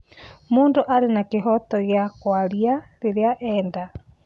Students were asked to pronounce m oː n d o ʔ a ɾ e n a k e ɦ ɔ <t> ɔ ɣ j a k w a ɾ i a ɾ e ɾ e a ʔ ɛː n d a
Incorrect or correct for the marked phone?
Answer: correct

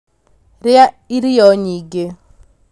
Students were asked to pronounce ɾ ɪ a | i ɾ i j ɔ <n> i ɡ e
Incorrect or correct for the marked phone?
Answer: incorrect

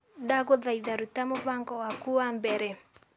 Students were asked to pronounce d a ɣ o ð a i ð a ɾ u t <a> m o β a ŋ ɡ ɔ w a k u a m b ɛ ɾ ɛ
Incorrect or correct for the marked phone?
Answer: correct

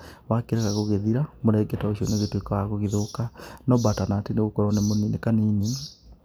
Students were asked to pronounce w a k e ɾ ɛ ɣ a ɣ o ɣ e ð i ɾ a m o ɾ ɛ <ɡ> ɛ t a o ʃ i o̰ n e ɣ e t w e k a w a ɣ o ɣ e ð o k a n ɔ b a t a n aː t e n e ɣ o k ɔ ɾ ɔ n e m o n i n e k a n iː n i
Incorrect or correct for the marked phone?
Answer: correct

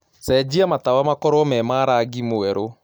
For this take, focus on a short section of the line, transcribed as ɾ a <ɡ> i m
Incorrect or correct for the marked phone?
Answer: correct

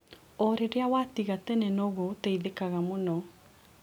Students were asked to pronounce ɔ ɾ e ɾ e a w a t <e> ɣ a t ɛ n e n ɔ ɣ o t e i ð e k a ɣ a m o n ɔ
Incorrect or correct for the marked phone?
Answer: incorrect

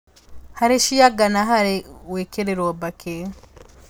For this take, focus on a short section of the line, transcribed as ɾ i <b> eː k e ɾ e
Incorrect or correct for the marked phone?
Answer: incorrect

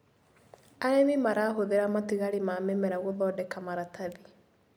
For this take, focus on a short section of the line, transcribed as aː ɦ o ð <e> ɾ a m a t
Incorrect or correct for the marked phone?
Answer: correct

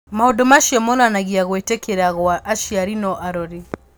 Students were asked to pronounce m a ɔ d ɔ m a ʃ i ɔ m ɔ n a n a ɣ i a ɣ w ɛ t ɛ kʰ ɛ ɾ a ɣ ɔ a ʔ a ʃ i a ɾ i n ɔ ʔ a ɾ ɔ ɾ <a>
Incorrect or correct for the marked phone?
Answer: incorrect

